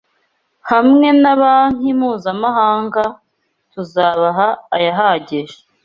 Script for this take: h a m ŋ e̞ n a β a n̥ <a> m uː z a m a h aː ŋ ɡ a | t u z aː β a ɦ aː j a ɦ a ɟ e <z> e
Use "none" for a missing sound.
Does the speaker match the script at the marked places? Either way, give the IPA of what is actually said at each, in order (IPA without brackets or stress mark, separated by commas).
i, ʒ